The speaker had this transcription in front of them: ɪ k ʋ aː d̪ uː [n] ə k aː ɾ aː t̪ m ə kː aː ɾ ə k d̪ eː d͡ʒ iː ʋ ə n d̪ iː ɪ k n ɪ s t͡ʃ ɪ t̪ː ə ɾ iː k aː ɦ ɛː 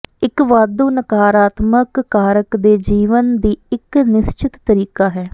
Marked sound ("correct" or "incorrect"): correct